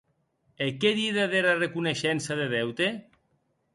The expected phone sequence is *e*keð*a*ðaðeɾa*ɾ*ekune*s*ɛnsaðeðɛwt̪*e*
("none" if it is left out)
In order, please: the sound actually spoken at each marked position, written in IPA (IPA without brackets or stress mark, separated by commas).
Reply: e, i, r, ʃ, e